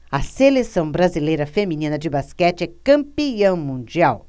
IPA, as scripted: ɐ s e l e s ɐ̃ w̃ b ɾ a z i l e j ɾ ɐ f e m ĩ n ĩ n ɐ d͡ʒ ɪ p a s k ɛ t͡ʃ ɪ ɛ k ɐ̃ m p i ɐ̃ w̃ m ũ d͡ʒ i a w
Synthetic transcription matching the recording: ɐ s e l e s ɐ̃ w̃ b ɾ a z i l e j ɾ ɐ f e m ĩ n ĩ n ɐ d͡ʒ ɪ b a s k ɛ t͡ʃ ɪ ɛ k ɐ̃ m p i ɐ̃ w̃ m ũ d͡ʒ i a w